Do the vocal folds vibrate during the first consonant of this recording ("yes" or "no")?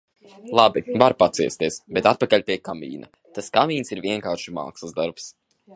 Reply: yes